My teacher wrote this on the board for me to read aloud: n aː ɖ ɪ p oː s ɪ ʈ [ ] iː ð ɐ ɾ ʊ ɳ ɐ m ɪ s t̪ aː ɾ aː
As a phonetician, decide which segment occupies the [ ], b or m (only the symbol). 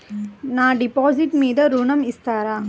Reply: m